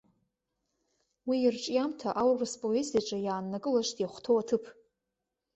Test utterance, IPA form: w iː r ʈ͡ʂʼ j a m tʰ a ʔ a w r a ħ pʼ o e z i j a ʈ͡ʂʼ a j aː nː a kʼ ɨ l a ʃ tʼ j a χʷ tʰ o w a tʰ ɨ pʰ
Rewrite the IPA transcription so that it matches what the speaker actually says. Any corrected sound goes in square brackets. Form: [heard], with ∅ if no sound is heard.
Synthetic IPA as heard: w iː r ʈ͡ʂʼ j a m tʰ a ʔ a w r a [s] pʼ o e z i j a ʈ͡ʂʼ a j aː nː a kʼ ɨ l a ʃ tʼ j a χʷ tʰ o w a tʰ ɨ pʰ

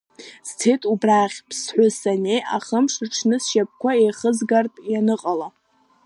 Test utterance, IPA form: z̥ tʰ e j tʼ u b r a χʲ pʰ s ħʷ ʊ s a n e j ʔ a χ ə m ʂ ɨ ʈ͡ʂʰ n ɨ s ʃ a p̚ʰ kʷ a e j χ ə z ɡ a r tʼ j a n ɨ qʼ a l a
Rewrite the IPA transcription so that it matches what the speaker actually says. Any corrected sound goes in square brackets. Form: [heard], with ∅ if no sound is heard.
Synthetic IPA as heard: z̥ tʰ e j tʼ u b r a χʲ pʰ s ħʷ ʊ s a n e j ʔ a χ ə m ʂ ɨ ʈ͡ʂʰ n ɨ s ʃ a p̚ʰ kʷ a e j χ ə z ɡ a r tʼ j a n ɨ qʼ a l a

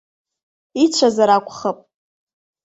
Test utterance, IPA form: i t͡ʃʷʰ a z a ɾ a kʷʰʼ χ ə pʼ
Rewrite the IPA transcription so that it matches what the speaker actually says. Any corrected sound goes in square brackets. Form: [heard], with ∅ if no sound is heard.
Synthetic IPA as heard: i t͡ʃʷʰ a z a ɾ a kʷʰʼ χ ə pʼ

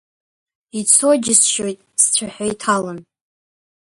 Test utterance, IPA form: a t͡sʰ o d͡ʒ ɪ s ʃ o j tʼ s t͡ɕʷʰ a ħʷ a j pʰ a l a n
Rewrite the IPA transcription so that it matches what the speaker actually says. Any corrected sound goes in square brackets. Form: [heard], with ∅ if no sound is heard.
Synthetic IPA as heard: [i] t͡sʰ o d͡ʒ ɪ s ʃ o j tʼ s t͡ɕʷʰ a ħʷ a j [tʰ] a l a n

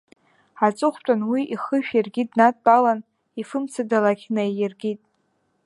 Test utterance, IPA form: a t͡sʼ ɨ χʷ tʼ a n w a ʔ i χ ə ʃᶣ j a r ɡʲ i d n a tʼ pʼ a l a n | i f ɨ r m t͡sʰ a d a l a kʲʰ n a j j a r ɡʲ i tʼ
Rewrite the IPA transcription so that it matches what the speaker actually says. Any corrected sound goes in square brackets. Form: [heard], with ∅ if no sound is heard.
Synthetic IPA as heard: a t͡sʼ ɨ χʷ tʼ a n w [i] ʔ i χ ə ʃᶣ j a r ɡʲ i d n a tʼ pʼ a l a n | i f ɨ [∅] m t͡sʰ a d a l a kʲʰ n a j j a r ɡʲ i tʼ

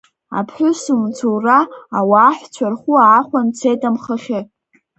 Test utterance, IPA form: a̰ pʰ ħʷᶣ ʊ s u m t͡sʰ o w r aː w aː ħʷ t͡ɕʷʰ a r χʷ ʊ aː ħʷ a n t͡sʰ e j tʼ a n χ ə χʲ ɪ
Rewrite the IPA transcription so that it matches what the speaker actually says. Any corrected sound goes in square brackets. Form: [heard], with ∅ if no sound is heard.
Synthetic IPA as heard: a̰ pʰ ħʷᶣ ʊ s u m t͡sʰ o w r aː w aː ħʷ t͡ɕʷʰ a r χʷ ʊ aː [χʷ] a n t͡sʰ e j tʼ a [m] χ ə χʲ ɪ

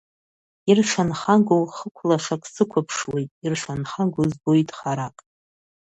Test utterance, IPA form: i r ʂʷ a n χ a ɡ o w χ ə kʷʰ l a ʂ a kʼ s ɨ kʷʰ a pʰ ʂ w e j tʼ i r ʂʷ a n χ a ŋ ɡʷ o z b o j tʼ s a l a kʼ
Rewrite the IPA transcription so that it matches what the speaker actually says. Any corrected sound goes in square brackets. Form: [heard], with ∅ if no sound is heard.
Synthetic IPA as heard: i r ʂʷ a n χ a ɡ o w χ ə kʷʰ l a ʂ a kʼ s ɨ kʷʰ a pʰ ʂ w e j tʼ i r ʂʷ a n χ a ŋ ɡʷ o z b o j tʼ [χ] a [ɾ] a kʼ

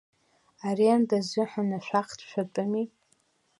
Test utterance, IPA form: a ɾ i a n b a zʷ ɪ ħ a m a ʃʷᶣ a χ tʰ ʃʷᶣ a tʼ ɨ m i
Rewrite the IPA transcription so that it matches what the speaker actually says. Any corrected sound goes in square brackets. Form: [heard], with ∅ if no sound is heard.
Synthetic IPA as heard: a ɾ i a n [d] a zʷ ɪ ħ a [n] a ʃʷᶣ a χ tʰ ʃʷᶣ a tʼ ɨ m i

